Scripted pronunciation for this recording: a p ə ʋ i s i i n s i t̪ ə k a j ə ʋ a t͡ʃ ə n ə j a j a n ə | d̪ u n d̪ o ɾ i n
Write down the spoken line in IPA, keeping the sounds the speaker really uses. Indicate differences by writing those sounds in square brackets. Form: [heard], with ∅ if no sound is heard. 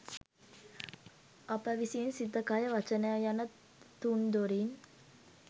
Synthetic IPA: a p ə ʋ i s i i n s i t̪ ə k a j ə ʋ a t͡ʃ ə n ə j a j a n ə | [t̪] u n d̪ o ɾ i n